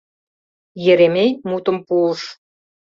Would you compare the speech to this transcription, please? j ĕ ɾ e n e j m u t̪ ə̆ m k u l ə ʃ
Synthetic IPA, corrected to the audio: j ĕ ɾ e m e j m u t̪ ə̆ m p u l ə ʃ

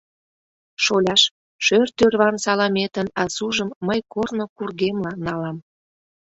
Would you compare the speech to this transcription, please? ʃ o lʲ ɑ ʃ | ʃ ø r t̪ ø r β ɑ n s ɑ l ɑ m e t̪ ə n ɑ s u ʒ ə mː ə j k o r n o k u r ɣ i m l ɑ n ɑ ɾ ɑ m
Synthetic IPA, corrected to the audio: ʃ o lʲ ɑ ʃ | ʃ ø r t̪ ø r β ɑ n s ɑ l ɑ m e t̪ ə n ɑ s u ʒ ə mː ə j k o r n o k u r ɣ e m l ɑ n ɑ l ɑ m

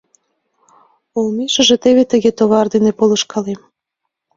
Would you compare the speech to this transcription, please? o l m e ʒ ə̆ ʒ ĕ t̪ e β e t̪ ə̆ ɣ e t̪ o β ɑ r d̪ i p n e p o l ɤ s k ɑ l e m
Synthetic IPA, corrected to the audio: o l m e ʃ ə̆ ʒ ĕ t̪ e β e t̪ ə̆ ɣ e t̪ o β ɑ r d̪ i n e p o l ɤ ʃ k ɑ l e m

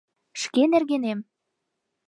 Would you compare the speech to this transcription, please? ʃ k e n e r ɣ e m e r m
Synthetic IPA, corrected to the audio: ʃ k e n e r ɣ e n e m

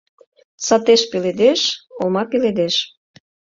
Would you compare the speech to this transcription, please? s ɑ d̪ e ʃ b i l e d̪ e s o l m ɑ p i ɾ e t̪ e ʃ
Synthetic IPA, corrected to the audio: s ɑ t̪ e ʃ p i l e d̪ e ʃ o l m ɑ p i l e d̪ e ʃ

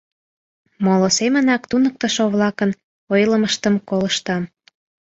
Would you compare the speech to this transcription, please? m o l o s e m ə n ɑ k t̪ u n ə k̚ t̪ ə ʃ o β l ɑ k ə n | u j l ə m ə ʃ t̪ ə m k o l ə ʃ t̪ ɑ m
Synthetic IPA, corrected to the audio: m o l o s e m ə n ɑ k t̪ u n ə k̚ t̪ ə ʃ o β l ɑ k ə n | o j l ə m ə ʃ t̪ ə m k o l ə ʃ t̪ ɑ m

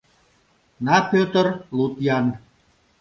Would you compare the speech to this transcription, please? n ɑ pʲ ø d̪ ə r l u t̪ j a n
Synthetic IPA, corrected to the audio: n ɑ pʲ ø t̪ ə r l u t̪ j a n

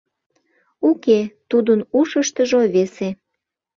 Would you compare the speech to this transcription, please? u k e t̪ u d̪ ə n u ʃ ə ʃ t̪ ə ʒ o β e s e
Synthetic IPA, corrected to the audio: u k e t̪ u d̪ ə n u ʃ ə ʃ t̪ ə ʒ o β e s e

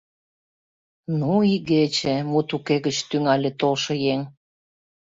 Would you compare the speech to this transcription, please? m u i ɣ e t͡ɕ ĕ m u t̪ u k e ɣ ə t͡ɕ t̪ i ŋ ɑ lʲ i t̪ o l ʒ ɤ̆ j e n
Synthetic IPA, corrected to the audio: n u i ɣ e t͡ɕ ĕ m u t̪ u k e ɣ ə t͡ɕ t̪ y ŋ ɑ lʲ e t̪ o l ʃ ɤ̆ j e ŋ

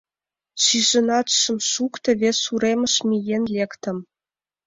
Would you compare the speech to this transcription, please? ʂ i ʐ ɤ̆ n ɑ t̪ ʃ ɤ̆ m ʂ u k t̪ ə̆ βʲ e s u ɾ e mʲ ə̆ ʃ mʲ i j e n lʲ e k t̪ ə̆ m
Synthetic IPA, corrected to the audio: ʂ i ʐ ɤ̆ n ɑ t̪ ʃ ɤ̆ m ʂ u k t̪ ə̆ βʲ e s u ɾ e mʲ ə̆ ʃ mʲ i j e n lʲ e k t̪ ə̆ m

